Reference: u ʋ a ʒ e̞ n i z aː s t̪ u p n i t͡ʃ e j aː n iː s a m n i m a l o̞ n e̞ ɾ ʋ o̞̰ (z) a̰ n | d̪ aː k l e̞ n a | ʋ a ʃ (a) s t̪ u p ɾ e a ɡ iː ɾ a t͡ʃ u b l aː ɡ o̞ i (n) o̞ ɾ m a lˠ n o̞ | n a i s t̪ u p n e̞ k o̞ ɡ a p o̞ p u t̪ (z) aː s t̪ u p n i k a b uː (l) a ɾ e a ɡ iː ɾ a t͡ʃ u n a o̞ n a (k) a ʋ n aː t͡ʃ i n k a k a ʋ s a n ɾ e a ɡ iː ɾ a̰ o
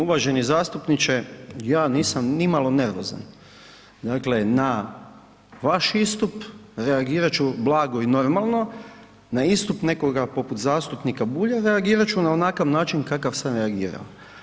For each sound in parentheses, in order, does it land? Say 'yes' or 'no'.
yes, no, yes, yes, no, yes

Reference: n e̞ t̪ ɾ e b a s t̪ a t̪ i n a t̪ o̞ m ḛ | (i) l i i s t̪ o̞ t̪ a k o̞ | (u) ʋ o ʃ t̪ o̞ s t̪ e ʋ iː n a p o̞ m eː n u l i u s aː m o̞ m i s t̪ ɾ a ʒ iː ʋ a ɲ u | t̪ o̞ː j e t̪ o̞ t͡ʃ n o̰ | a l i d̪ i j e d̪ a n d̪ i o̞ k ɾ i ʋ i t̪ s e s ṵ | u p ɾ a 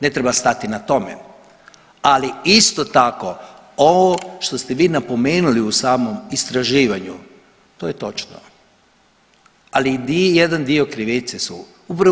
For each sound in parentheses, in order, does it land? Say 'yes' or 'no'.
no, no

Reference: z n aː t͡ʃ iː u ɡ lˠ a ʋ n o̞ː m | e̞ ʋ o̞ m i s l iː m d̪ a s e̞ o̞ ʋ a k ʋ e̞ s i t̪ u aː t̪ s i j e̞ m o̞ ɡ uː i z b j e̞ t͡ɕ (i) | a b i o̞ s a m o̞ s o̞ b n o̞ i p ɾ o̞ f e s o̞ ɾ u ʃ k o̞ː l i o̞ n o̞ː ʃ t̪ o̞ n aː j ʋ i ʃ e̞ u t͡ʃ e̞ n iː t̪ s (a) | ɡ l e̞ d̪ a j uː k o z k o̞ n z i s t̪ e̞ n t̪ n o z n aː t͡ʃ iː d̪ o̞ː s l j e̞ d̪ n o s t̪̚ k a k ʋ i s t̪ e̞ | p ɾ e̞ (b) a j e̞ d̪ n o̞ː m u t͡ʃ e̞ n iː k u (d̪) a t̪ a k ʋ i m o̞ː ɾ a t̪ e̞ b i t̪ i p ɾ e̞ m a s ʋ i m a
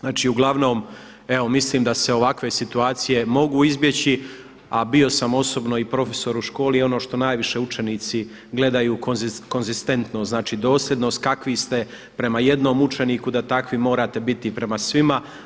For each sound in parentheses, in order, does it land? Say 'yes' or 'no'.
yes, no, no, yes

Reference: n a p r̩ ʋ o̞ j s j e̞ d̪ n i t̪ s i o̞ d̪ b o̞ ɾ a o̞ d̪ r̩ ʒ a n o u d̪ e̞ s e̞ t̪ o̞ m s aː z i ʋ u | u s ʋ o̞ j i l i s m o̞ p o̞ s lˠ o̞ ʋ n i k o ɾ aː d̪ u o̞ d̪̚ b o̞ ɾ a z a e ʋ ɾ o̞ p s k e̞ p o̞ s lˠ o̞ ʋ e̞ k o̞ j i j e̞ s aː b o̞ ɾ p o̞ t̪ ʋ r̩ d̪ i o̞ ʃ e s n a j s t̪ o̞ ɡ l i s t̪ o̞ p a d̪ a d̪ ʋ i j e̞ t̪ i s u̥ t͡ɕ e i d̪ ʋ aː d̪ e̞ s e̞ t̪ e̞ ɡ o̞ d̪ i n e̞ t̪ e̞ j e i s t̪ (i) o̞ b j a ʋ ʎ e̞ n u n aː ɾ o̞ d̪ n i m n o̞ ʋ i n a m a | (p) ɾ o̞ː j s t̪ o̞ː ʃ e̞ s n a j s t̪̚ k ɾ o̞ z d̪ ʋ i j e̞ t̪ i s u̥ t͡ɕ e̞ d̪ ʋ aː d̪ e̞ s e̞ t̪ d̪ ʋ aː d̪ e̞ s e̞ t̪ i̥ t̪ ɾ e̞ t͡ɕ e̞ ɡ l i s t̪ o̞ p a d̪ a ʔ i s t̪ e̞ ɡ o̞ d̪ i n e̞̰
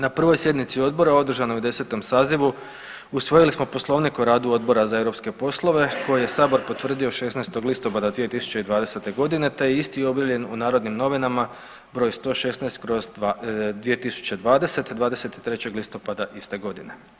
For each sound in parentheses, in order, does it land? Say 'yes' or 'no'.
yes, no

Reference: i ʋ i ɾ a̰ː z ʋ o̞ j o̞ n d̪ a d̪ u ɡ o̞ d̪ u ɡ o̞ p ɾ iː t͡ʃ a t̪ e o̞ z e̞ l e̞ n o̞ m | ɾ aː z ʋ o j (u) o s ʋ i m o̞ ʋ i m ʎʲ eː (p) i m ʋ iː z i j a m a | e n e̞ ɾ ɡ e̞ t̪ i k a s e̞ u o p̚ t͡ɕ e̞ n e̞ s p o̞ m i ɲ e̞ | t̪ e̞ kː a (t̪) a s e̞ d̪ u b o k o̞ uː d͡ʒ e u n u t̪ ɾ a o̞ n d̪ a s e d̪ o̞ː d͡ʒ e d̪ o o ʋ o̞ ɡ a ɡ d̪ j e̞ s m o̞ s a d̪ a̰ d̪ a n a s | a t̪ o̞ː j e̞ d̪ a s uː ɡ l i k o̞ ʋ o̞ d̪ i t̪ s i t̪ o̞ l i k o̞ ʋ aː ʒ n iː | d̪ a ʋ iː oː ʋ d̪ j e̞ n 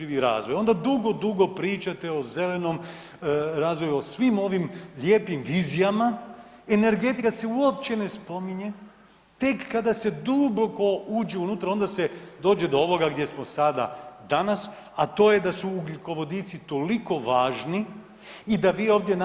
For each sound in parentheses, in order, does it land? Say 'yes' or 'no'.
yes, yes, no

